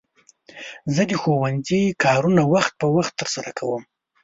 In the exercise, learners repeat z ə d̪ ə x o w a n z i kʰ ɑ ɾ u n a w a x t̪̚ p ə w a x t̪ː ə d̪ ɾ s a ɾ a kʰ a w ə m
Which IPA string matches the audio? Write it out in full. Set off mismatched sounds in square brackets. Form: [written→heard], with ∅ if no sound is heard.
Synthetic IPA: z ə d̪ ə x o w a n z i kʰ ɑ ɾ u n a w a x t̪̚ p ə w a x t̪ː ə [d̪→∅] ɾ s a ɾ a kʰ a w ə m

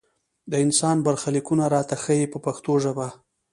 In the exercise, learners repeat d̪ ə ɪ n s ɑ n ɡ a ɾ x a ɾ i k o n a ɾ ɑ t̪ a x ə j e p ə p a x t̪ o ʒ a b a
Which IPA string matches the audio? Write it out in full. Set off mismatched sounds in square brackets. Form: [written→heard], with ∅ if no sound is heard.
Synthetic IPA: d̪ ə ɪ n s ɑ n [ɡ→b] a ɾ x a [ɾ→l] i k [o→u] n a ɾ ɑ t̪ a x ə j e p ə p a x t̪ o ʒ a b a

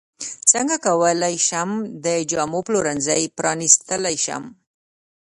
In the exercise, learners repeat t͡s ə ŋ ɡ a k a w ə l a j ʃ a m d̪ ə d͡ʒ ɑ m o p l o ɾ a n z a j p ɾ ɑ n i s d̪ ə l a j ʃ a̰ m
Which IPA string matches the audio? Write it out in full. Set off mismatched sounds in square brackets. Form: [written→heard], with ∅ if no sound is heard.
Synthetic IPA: t͡s ə ŋ ɡ a k a w ə l a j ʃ a m d̪ ə d͡ʒ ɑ m o p l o ɾ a n z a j p ɾ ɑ n i s [d̪→t̪] ə l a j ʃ a̰ m

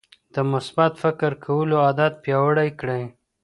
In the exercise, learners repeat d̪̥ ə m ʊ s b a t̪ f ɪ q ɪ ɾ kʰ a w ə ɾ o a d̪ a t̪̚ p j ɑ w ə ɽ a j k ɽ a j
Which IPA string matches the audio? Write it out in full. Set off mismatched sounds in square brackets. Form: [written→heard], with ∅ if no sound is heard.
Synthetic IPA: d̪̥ ə m ʊ s b a t̪ f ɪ [q→k] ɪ ɾ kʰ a w ə [ɾ→l] o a d̪ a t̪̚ p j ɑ w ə ɽ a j k ɽ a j

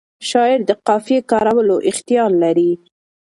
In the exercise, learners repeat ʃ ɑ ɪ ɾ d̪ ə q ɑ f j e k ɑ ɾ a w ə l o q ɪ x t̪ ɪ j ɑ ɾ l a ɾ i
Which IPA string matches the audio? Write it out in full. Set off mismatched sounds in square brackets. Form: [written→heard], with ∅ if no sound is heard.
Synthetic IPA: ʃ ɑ ɪ ɾ d̪ ə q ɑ f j e k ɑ ɾ a w ə l o [q→ʔ] ɪ x t̪ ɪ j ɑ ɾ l a ɾ i

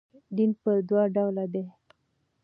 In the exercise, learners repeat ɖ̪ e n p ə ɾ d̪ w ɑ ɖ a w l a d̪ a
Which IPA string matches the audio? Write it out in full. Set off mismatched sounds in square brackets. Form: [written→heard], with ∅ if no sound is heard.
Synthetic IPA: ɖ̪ [e→i] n p ə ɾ d̪ w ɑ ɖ a w l a d̪ [a→e]

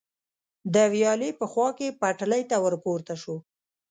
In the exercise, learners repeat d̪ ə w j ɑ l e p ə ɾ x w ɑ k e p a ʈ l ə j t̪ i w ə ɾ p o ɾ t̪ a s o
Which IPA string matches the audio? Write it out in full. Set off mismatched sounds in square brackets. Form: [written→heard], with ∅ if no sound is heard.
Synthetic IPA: d̪ ə w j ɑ l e p ə [ɾ→∅] x w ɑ k e p a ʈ l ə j t̪ [i→a] w ə ɾ p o ɾ t̪ a [s→ʃ] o

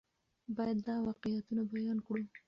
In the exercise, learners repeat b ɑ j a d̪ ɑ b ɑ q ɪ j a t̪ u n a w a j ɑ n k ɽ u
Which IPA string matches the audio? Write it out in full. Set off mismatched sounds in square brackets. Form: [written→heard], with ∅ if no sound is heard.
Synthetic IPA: b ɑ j a [d̪→d̪ː] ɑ [b→w] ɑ q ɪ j a t̪ u n a [w→b] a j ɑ n k ɽ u

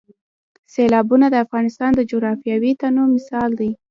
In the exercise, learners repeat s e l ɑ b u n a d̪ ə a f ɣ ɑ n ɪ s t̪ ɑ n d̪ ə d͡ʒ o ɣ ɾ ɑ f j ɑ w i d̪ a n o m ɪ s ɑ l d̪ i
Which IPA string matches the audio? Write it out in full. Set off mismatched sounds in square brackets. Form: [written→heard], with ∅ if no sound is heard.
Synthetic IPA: s e l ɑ b u n a d̪ ə a f ɣ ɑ n ɪ s t̪ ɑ n d̪ ə d͡ʒ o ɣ ɾ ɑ f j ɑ w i [d̪→t̪] a n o m ɪ s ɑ l d̪ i

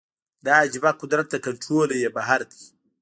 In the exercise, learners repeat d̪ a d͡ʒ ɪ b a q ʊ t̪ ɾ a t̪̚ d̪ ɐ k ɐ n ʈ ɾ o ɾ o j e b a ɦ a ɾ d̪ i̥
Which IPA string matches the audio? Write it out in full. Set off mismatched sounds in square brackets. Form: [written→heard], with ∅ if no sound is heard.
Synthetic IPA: d̪ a d͡ʒ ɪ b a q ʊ [t̪→d̪] ɾ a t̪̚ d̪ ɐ k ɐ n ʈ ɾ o [ɾ→l] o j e b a ɦ a ɾ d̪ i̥

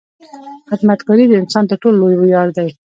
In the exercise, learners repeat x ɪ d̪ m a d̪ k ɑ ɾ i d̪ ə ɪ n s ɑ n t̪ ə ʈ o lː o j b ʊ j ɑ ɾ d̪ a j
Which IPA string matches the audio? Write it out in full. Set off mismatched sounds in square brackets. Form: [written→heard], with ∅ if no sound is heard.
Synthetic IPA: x ɪ d̪ m a [d̪→t̪] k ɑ ɾ i d̪ ə ɪ n s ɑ n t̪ ə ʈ o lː o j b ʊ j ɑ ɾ d̪ a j

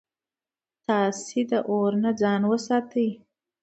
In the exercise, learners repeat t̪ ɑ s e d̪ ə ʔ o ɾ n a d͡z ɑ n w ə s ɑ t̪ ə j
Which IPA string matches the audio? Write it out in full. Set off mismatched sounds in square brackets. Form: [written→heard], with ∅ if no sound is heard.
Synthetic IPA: t̪ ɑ s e d̪ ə ʔ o ɾ n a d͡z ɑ n w ə s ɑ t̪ ə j

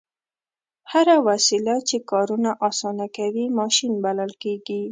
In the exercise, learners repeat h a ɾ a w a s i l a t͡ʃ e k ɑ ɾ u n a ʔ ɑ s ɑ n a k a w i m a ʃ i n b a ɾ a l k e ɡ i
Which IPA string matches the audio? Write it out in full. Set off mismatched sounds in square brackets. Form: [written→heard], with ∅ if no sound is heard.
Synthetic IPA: h a ɾ a w a s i l a t͡ʃ e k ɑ ɾ u n a ʔ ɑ s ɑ n a k a w i m [a→ɑ] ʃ i n b a [ɾ→l] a l k e ɡ i

